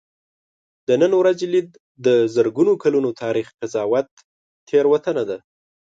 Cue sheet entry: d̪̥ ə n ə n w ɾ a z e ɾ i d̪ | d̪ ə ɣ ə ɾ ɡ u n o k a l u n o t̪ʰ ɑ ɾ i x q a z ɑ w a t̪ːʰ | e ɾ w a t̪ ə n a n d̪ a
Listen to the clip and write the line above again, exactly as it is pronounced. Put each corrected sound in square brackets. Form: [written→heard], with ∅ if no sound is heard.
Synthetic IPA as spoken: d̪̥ ə n ə n w ɾ a z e [ɾ→l] i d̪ | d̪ ə [ɣ→z] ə ɾ ɡ u n o k a l u n o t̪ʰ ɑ ɾ i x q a z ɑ w a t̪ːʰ | e ɾ w a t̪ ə n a [n→∅] d̪ a